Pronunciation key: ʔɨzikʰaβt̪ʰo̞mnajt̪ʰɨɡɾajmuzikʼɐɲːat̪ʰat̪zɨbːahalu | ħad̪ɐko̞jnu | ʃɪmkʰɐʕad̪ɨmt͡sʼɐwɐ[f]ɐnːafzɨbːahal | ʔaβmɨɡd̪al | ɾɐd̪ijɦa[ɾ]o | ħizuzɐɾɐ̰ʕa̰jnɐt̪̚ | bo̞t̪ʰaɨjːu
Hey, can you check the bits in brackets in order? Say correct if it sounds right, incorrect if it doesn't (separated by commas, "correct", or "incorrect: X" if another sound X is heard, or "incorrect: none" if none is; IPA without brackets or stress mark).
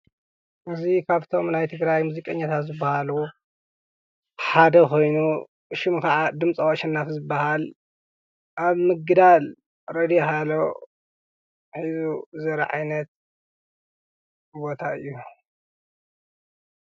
incorrect: ʃ, incorrect: l